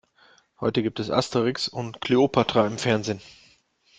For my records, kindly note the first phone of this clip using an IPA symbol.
h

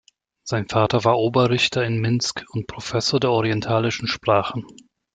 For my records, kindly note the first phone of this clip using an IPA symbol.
z̥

